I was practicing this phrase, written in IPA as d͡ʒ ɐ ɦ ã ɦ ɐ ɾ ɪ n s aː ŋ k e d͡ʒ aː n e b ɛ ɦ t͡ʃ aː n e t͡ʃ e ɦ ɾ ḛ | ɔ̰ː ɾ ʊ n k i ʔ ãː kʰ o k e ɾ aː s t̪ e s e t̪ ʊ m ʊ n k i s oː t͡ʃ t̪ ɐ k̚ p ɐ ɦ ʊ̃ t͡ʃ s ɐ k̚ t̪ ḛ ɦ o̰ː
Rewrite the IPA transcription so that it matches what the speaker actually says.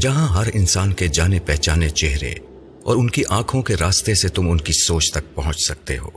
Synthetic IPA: d͡ʒ ɐ ɦ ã ɦ ɐ ɾ ɪ n s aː n k e d͡ʒ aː n e p ɛ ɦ t͡ʃ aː n e t͡ʃ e ɦ ɾ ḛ | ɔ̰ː ɾ ʊ n k i ʔ ãː kʰ õ k e ɾ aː s t̪ e s e t̪ ʊ m ʊ n k i s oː t͡ʃ t̪ ɐ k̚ p ɐ ɦ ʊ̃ t͡ʃ s ɐ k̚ t̪ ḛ ɦ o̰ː